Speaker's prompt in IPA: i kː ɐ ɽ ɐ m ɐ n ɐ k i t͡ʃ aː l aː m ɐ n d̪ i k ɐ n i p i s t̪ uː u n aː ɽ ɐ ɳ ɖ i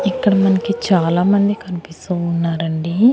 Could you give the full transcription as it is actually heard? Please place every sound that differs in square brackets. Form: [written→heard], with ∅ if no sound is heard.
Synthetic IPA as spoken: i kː ɐ ɽ ɐ m ɐ n ɐ k i t͡ʃ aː l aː m ɐ n d̪ i k ɐ n i p i s t̪ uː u [n→nː] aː [ɽ→ɾ] ɐ ɳ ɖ i

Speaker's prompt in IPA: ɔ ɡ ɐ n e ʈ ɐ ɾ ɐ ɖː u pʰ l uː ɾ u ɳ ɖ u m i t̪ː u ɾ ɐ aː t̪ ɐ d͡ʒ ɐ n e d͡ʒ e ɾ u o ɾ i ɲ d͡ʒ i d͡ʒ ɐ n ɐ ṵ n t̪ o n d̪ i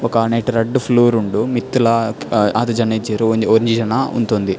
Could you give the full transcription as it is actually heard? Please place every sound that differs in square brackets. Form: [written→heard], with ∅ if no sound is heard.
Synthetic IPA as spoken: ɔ [ɡ→k] ɐ n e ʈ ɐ ɾ ɐ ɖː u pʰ l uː ɾ u ɳ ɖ u m i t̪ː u [ɾ→l] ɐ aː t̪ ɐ d͡ʒ ɐ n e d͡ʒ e ɾ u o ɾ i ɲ d͡ʒ i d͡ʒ ɐ n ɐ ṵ n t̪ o n d̪ i

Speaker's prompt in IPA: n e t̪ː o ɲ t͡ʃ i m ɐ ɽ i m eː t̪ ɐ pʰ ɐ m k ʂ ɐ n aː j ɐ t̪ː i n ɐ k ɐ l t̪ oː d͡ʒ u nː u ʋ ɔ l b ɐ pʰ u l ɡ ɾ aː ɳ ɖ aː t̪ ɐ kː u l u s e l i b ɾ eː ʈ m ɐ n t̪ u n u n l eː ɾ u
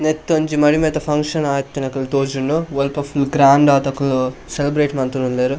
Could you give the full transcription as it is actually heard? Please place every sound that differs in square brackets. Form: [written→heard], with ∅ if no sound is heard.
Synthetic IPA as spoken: n e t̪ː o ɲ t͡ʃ i m ɐ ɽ i m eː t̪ ɐ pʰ ɐ [m→ŋ] k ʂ ɐ n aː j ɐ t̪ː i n ɐ k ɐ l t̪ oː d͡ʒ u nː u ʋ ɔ l [b→p] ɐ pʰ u l ɡ ɾ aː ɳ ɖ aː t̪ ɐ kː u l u s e l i b ɾ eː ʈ m ɐ n t̪ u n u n l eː ɾ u

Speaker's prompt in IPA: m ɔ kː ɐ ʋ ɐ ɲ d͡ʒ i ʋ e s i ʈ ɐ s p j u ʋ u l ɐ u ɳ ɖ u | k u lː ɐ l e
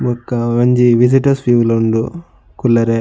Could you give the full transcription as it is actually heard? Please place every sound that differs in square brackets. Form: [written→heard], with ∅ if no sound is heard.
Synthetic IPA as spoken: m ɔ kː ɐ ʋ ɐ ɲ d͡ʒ i ʋ [e→i] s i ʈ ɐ s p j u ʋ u l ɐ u ɳ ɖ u | k u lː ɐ [l→ɾ] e

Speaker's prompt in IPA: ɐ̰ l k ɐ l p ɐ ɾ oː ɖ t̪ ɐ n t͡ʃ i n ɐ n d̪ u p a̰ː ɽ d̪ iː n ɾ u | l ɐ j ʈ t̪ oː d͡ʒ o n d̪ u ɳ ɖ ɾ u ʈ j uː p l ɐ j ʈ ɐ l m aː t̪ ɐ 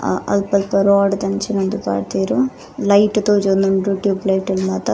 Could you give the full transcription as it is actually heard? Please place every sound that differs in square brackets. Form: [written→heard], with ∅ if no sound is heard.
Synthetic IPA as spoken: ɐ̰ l [k→p] ɐ l p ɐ ɾ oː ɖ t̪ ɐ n t͡ʃ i n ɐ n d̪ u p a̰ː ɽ [d̪→t̪] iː [n→∅] ɾ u | l ɐ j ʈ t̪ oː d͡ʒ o n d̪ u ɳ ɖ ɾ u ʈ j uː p l ɐ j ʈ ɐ l m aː t̪ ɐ

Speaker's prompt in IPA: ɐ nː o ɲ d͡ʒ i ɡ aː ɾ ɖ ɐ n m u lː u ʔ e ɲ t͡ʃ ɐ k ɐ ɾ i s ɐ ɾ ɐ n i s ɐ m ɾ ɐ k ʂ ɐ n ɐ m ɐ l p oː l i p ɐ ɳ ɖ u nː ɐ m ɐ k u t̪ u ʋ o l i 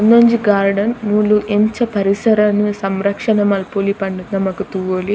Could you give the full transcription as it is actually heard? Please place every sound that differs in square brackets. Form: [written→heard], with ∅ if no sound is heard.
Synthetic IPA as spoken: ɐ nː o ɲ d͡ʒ i ɡ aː ɾ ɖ ɐ n m u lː u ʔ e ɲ t͡ʃ ɐ [k→p] ɐ ɾ i s ɐ ɾ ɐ n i s ɐ m ɾ ɐ k ʂ ɐ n ɐ m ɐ l p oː l i p ɐ ɳ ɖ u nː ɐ m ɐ k u t̪ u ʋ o l i

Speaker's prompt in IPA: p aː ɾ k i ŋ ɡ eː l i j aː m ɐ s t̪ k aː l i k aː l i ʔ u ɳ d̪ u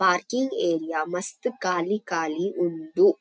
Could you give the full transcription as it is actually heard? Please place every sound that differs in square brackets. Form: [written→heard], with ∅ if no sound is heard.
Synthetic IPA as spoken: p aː ɾ k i ŋ ɡ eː [l→ɾ] i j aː m ɐ s t̪ k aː l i k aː l i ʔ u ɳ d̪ u

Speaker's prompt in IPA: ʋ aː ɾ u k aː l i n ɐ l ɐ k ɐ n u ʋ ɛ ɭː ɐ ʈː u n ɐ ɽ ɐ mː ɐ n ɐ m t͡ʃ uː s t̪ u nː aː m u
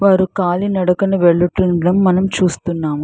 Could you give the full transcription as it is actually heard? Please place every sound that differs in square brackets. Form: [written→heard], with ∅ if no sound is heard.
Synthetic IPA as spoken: ʋ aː ɾ u k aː l i n ɐ [l→ɽ] ɐ k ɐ n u ʋ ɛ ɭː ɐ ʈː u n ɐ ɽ ɐ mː ɐ n ɐ m t͡ʃ uː s t̪ u nː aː m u

